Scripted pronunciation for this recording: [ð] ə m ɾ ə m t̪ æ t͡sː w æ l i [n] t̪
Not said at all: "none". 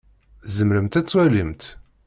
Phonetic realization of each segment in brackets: z, m

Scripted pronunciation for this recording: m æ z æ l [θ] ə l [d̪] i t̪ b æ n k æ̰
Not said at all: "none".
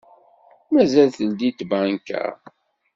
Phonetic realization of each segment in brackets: θ, d̪

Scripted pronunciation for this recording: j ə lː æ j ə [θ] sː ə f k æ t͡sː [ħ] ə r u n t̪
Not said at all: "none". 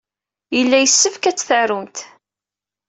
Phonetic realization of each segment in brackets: none, θ

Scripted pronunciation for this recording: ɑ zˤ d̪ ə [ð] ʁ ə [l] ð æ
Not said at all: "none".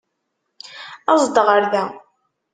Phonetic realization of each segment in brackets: none, ɾ

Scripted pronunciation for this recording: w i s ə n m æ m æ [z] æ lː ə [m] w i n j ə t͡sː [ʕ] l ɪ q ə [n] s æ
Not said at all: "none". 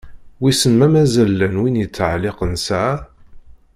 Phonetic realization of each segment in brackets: z, n, ʕ, n

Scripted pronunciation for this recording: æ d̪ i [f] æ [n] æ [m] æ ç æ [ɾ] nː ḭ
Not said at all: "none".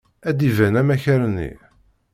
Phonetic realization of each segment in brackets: v, n, m, ɾ

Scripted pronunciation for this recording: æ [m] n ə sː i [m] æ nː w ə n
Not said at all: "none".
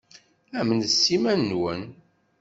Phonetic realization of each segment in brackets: m, m

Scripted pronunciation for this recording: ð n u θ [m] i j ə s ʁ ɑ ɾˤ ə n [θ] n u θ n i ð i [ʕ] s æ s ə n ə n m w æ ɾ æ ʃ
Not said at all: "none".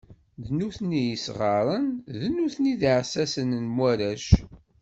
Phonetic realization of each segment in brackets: n, ð, ʕ

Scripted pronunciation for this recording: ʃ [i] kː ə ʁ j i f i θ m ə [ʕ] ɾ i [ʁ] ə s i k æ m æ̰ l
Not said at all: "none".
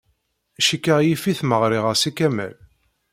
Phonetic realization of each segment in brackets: i, ʁ, ʁ

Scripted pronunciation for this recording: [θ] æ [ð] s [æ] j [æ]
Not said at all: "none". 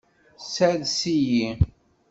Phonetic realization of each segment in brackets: s, ð, i, i

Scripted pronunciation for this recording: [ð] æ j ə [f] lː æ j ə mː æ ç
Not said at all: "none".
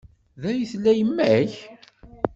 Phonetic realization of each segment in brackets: ð, θ

